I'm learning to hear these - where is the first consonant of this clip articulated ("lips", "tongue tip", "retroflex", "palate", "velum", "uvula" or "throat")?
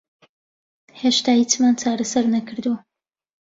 throat